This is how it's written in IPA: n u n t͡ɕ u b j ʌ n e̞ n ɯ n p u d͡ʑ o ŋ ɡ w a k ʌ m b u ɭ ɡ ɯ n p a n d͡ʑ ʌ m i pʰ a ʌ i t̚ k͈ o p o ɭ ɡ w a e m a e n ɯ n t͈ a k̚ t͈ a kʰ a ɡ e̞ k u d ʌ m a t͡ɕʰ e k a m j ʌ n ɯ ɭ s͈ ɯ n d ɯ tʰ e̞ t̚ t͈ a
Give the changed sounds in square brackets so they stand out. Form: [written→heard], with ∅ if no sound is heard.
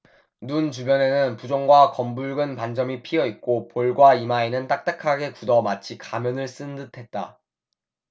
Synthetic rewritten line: n u n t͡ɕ u b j ʌ n e̞ n ɯ n p u d͡ʑ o ŋ ɡ w a k ʌ m b u ɭ ɡ ɯ n p a n d͡ʑ ʌ m i pʰ [a→i] ʌ i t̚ k͈ o p o ɭ ɡ w a [e→i] m a e n ɯ n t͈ a k̚ t͈ a kʰ a ɡ e̞ k u d ʌ m a t͡ɕʰ [e→i] k a m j ʌ n ɯ ɭ s͈ ɯ n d ɯ tʰ e̞ t̚ t͈ a